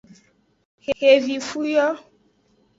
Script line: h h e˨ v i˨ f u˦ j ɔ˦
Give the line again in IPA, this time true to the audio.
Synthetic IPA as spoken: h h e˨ v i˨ f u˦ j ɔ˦